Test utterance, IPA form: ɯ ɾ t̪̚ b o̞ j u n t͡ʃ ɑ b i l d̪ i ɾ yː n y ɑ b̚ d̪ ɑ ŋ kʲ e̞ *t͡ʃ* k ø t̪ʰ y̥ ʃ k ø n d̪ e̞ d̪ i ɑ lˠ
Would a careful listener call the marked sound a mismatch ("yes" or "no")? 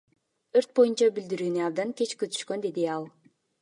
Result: no